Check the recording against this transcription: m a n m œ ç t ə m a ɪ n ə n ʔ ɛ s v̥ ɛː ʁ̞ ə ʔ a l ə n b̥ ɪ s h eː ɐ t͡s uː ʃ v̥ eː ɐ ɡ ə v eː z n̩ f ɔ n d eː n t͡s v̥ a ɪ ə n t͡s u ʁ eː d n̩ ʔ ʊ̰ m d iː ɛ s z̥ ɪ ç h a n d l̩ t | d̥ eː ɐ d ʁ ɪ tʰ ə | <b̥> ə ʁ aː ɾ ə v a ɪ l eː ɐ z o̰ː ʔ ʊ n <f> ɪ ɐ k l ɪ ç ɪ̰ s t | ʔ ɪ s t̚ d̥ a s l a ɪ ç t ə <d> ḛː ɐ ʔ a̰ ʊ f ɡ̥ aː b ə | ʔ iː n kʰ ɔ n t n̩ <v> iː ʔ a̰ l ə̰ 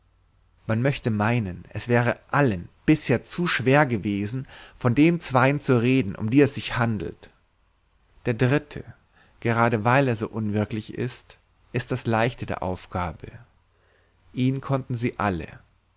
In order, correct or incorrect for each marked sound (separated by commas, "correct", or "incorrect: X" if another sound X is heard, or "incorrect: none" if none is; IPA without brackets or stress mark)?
incorrect: ɡ̥, incorrect: v, correct, incorrect: z